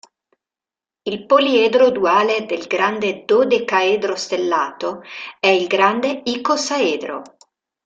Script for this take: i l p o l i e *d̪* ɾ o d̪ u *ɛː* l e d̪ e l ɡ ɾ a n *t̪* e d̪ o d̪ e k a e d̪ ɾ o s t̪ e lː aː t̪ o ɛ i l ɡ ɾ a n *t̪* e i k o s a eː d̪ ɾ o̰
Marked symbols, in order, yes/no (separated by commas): yes, no, no, no